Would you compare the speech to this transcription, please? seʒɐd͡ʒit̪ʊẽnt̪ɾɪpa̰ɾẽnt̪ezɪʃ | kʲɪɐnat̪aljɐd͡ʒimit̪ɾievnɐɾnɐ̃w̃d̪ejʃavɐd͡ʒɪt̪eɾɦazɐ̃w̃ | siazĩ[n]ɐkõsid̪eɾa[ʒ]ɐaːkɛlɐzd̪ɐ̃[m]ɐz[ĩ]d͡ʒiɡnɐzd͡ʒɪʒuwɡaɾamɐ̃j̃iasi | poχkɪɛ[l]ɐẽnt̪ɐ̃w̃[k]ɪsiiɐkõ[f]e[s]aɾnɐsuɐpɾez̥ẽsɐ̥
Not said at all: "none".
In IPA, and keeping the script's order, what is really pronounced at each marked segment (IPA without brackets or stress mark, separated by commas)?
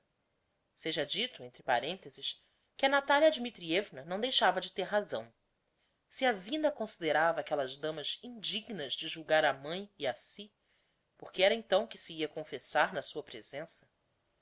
n, v, m, ĩ, ɾ, k, f, s